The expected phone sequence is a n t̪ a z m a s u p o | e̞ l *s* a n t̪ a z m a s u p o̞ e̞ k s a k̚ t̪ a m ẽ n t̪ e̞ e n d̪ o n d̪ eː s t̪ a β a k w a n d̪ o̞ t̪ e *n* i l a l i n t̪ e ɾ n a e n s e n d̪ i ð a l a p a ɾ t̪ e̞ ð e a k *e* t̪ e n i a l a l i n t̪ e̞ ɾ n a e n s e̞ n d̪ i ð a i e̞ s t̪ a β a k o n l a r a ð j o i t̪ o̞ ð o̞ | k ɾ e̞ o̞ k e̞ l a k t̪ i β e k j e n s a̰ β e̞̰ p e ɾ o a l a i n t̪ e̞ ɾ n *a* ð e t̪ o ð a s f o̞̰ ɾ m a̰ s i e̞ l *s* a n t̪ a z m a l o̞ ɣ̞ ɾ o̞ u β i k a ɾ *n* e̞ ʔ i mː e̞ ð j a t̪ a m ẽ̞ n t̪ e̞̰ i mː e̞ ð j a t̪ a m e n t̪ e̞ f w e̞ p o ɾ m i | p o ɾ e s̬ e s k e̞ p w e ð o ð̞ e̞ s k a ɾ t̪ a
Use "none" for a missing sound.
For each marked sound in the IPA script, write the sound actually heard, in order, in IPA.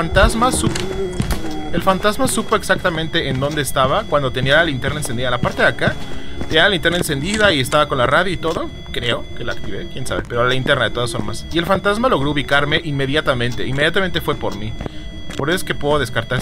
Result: f, n, a, a, f, m

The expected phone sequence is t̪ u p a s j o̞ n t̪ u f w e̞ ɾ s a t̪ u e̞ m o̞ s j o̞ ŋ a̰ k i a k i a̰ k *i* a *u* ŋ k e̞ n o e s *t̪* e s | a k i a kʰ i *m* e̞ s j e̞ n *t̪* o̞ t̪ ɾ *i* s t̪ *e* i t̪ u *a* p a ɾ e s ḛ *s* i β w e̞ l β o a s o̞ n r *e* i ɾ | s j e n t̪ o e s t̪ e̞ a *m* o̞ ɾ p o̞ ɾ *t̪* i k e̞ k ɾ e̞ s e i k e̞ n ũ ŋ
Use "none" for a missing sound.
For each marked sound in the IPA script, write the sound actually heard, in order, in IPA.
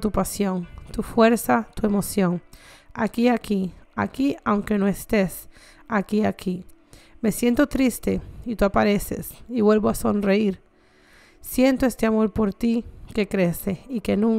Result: i, w, t̪, m, t̪, i, e, a, s, e, m, t̪

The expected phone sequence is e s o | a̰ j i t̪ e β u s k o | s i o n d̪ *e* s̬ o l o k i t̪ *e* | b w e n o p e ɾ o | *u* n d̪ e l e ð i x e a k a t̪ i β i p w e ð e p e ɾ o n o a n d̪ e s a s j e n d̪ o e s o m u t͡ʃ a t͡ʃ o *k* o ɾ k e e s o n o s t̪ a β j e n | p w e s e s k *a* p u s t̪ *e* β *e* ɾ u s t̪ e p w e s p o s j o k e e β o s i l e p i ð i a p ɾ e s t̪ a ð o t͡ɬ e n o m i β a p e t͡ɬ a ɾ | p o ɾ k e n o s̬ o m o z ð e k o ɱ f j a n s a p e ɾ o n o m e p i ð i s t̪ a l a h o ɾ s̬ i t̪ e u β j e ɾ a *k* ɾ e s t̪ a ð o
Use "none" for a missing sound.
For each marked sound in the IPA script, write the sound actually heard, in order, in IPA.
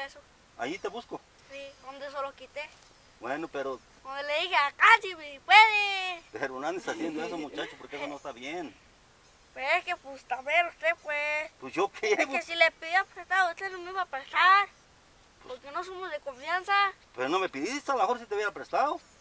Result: e, e, o, p, e, a, e, p

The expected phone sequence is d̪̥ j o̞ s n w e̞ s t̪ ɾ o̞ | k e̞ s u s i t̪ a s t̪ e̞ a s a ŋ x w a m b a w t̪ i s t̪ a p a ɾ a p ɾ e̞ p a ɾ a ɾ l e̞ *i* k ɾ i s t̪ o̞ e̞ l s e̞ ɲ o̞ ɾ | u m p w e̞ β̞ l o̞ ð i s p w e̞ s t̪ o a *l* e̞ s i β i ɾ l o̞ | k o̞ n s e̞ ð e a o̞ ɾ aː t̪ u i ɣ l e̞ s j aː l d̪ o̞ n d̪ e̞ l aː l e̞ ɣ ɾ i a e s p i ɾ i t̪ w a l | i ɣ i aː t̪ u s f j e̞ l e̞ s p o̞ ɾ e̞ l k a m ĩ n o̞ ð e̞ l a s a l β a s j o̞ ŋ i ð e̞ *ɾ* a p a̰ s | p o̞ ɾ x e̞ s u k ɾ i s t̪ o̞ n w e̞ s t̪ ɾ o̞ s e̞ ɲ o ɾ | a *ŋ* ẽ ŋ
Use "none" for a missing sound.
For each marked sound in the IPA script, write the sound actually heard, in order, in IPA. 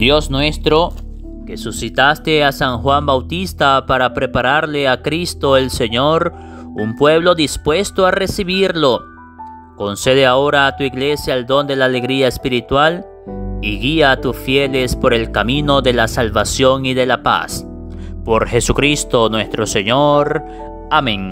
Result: a, r, l, m

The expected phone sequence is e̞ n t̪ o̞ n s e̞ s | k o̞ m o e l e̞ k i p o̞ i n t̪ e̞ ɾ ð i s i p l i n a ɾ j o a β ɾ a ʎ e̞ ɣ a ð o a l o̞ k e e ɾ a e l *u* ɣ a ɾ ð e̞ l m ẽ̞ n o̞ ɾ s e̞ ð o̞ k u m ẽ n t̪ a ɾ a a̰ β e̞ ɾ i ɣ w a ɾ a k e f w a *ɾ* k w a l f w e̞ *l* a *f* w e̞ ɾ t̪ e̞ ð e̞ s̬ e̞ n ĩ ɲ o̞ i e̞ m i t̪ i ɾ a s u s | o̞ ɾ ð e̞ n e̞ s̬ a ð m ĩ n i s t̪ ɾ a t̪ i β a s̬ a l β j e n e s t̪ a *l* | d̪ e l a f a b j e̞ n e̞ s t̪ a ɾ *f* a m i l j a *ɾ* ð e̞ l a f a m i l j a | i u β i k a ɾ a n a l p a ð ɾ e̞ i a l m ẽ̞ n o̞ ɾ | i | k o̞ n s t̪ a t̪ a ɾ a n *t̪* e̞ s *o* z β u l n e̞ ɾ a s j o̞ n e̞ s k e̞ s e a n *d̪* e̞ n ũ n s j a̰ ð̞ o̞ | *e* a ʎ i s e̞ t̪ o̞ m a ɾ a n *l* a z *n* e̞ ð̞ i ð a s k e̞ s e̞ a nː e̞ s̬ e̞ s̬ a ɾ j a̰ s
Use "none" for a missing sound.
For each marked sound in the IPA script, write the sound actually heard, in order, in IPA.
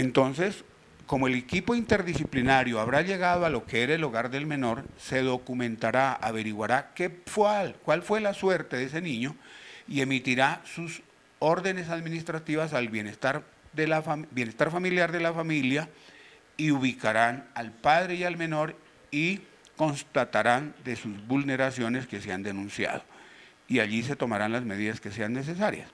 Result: o, l, l, s, ɾ, f, ɾ, d̪, u, d̪, i, l, m

